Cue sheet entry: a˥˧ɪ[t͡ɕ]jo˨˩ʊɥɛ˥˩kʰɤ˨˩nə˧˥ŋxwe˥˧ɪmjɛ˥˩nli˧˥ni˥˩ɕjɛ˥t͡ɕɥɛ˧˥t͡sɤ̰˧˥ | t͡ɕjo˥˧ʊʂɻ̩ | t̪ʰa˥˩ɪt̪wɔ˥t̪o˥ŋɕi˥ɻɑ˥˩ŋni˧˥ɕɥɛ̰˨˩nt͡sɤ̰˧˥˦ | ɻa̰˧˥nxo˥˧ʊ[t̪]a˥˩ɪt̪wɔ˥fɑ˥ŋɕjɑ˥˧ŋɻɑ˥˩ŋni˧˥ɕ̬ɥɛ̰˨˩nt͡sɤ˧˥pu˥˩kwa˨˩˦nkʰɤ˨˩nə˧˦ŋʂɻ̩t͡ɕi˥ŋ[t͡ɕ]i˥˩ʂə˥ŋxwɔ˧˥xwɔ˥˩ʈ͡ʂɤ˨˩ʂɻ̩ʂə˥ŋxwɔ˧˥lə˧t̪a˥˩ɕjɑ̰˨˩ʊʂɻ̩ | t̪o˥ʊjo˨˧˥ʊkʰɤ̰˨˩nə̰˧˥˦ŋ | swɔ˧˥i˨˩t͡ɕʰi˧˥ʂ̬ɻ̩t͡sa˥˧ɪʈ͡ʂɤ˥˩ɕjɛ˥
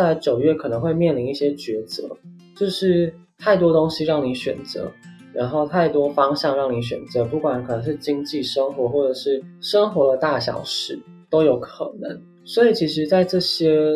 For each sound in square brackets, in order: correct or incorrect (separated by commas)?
correct, incorrect, correct